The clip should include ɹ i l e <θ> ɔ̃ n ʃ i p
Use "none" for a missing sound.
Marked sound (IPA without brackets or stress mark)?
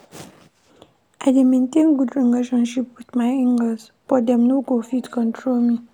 ʃ